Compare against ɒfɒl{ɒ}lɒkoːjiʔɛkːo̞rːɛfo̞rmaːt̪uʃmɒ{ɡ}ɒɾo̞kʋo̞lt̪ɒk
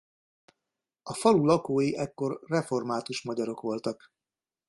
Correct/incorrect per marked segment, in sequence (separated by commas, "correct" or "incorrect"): incorrect, incorrect